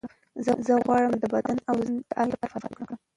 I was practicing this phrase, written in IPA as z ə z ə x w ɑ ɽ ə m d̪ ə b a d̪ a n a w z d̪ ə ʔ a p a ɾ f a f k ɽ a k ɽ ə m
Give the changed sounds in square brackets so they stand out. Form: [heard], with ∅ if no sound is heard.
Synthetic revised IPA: z ə z ə [ɣ] w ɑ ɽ ə m d̪ ə b a d̪ a n a w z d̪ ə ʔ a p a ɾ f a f k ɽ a k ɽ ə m